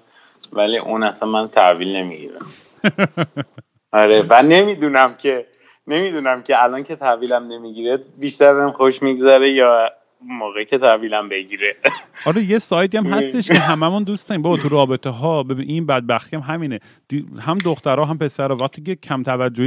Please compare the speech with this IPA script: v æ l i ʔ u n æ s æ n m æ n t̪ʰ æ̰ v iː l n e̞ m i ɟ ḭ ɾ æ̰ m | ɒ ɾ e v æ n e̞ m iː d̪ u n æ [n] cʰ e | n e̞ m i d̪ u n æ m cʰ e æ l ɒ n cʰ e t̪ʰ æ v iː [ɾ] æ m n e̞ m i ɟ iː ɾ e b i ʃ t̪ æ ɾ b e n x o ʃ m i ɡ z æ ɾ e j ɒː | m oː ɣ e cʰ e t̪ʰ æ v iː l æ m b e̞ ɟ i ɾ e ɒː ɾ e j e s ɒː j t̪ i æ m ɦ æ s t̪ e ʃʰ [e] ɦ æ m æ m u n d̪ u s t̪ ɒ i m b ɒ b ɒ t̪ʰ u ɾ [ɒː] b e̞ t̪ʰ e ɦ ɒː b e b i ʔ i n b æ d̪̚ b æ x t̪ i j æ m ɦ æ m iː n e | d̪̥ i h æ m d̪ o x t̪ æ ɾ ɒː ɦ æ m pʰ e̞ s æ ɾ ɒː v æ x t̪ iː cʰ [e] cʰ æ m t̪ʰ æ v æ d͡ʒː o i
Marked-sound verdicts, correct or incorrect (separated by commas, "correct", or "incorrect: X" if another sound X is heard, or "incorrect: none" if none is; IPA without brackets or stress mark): incorrect: m, incorrect: l, correct, correct, correct